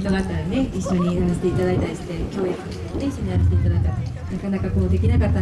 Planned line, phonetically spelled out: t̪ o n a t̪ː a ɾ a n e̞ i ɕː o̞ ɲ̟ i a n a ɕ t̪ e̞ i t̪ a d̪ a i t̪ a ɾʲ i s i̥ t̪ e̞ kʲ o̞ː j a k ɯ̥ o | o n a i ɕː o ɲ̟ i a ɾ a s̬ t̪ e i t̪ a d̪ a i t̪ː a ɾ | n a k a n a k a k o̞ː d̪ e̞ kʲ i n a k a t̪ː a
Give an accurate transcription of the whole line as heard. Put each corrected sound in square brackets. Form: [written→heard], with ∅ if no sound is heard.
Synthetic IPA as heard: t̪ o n a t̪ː a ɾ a n e̞ i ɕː o̞ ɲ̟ i a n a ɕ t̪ e̞ i t̪ a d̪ a i t̪ a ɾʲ i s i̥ t̪ e̞ kʲ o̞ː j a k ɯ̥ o | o n [a→e] i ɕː o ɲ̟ i a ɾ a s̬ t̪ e i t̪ a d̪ a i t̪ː a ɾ | n a k a n a k a k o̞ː d̪ e̞ kʲ i n a k a t̪ː a

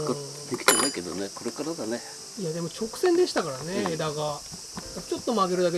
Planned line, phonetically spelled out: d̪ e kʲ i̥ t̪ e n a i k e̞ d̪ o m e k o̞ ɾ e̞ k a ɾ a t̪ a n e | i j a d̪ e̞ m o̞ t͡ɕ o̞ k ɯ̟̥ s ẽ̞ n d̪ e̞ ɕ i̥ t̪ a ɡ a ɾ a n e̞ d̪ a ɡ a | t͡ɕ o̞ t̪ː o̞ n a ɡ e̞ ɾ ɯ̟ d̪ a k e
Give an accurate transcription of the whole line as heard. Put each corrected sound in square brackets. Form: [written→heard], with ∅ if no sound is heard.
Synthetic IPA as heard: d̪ e kʲ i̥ t̪ e n a i k e̞ d̪ o [m→n] e k o̞ ɾ e̞ k a ɾ a [t̪→d̪] a n e | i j a d̪ e̞ m o̞ t͡ɕ o̞ k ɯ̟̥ s ẽ̞ n d̪ e̞ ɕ i̥ t̪ a [ɡ→k] a ɾ a n e̞ d̪ a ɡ a | t͡ɕ o̞ t̪ː o̞ [n→m] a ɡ e̞ ɾ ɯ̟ d̪ a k e

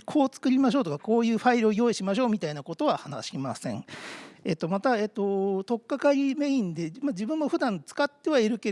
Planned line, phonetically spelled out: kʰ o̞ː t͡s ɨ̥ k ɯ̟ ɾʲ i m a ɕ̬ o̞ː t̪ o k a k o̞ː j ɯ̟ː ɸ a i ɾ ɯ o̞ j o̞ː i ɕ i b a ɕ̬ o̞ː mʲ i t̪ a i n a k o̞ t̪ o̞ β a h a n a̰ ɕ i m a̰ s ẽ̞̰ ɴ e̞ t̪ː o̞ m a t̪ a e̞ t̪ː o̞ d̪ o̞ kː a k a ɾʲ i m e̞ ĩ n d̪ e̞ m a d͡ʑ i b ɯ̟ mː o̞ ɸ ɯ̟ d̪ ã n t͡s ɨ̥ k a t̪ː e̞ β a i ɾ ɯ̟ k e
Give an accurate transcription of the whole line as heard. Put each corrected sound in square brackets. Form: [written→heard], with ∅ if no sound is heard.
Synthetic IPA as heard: kʰ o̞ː t͡s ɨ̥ k ɯ̟ ɾʲ i m a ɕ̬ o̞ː t̪ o k a k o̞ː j ɯ̟ː ɸ a i ɾ ɯ o̞ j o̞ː i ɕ i [b→m] a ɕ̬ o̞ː mʲ i t̪ a i n a k o̞ t̪ o̞ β a h a n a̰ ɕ i m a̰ s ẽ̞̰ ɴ e̞ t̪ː o̞ m a t̪ a e̞ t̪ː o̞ [d̪→t̪] o̞ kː a k a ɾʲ i m e̞ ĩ n d̪ e̞ m a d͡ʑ i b [ɯ̟→ɯ̟̃] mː o̞ ɸ ɯ̟ d̪ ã n t͡s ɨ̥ k a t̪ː e̞ β a i ɾ ɯ̟ k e

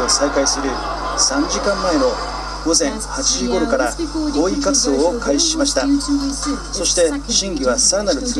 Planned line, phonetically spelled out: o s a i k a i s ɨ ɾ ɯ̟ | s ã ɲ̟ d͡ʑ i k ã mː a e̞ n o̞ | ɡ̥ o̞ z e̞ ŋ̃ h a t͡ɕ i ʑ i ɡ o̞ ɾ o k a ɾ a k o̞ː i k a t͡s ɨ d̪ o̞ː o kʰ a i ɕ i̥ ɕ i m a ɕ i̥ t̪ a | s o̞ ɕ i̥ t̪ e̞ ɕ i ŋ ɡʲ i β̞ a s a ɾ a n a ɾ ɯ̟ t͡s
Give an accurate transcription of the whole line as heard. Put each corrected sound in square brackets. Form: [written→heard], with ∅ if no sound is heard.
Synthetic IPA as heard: o s a i k a i s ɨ ɾ ɯ̟ | s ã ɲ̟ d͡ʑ i k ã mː a e̞ n o̞ | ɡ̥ o̞ z [e̞→ẽ̞] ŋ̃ h a t͡ɕ i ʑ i ɡ o̞ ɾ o k a ɾ a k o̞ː i k a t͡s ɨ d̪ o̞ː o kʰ a i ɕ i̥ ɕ i m a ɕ i̥ t̪ a | s o̞ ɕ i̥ t̪ e̞ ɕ [i→ĩ] ŋ ɡʲ i β̞ a s a ɾ a n a ɾ ɯ̟ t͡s

